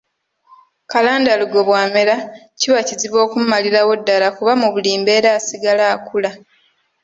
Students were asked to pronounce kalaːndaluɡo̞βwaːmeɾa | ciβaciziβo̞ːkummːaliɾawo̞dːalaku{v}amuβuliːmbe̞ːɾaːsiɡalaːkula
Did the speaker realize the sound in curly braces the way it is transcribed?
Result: no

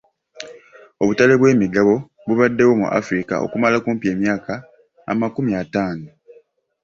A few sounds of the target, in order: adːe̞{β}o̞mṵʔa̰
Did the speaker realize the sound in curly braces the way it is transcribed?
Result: no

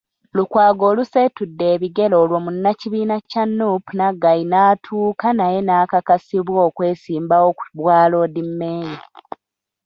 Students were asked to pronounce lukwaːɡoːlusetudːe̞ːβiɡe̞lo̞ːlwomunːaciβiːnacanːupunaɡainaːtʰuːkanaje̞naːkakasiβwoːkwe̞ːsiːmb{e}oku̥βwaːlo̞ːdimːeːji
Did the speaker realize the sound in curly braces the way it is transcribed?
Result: no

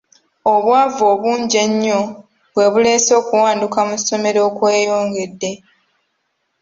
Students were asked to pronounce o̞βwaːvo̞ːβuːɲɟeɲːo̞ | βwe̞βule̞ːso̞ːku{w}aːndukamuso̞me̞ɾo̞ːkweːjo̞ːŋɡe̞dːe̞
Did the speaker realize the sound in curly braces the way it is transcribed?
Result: yes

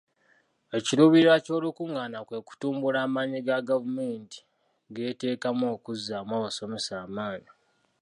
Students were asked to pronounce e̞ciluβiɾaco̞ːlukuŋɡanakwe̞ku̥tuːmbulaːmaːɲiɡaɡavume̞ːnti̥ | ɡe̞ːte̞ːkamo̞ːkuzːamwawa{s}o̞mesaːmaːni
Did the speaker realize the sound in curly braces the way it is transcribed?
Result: yes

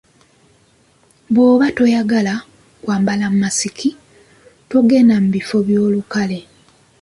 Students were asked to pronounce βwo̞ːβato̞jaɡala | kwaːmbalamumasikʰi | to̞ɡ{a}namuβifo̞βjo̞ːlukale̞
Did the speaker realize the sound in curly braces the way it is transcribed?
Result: no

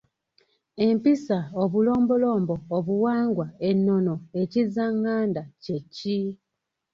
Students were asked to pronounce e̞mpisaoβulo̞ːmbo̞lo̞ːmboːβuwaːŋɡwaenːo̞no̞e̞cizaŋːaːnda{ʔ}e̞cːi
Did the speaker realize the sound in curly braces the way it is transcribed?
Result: no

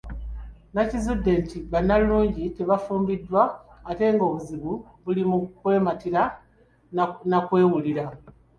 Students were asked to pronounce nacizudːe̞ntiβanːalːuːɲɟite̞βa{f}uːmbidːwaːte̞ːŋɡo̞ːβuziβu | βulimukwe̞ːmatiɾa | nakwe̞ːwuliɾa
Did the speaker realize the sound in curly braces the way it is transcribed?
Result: yes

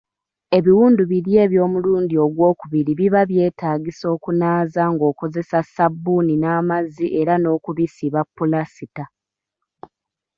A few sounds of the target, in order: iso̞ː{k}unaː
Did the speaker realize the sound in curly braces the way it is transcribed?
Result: yes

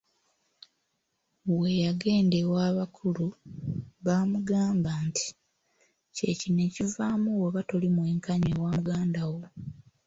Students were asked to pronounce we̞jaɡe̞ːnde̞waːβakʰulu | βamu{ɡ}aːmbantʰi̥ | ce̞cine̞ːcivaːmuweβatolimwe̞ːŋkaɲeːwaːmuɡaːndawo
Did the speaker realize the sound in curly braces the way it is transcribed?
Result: yes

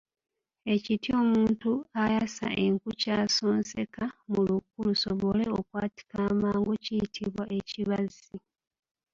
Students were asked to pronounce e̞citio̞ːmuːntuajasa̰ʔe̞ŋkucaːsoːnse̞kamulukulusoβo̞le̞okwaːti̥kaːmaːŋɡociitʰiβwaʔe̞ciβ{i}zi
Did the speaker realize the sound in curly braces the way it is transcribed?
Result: no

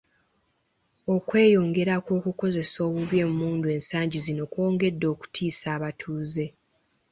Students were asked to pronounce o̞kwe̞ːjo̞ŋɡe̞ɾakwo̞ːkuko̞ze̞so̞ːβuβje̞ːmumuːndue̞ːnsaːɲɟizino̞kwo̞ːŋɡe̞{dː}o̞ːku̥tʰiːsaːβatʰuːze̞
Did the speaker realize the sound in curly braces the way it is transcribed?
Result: yes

